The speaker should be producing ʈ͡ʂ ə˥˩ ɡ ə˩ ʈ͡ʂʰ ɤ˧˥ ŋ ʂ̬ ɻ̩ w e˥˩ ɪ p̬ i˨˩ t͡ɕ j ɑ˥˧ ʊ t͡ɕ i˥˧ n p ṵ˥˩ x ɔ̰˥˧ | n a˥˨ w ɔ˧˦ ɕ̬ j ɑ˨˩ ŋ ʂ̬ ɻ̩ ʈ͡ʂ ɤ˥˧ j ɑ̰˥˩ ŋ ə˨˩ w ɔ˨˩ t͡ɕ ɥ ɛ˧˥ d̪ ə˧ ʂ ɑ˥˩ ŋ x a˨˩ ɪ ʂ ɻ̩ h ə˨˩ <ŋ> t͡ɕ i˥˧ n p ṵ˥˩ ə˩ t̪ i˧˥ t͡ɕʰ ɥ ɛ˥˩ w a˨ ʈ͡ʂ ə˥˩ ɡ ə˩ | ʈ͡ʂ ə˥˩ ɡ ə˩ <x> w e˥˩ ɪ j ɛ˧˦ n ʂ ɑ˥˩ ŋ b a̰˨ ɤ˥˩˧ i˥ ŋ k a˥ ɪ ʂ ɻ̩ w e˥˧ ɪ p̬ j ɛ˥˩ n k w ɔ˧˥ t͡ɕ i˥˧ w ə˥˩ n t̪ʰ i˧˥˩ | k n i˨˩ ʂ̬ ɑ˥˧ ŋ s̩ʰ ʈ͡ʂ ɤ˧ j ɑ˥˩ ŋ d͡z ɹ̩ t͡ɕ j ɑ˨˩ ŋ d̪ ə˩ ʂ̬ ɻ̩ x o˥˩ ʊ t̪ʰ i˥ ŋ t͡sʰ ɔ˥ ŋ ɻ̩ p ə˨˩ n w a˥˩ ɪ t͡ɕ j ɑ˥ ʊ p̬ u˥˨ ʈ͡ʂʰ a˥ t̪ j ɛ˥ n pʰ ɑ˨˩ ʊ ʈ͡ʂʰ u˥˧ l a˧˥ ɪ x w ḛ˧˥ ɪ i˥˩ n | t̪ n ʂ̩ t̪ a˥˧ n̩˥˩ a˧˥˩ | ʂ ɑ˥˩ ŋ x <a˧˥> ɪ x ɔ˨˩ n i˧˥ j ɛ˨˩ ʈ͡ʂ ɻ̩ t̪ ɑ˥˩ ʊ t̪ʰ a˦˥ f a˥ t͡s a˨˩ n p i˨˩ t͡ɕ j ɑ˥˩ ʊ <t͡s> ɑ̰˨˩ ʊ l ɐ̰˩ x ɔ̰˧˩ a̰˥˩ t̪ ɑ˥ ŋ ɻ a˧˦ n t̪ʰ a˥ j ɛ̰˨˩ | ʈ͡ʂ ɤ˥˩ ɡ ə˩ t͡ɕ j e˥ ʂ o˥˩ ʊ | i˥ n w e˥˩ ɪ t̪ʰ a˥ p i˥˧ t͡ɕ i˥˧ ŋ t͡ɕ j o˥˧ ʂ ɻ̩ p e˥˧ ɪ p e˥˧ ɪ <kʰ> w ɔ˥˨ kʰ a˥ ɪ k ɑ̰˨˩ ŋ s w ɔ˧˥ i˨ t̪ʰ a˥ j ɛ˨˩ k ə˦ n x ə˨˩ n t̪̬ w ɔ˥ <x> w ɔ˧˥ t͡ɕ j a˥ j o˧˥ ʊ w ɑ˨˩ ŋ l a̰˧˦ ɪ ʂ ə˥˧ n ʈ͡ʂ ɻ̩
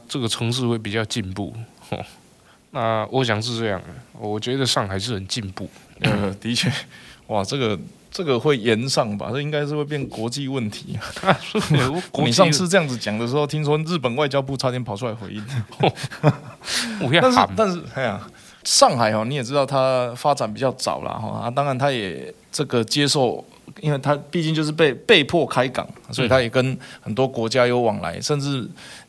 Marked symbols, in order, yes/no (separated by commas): no, yes, no, yes, no, no